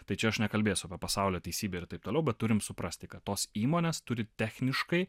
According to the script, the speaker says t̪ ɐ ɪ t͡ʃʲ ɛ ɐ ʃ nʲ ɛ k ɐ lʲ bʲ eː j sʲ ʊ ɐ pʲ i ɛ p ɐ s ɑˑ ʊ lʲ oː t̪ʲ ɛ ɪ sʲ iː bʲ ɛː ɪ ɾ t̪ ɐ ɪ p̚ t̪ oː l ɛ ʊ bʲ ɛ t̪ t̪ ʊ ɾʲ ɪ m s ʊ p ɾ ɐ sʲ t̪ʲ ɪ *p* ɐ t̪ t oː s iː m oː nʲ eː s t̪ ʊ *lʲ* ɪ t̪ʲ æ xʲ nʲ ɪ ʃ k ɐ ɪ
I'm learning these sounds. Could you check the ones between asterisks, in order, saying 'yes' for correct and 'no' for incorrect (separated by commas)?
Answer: no, no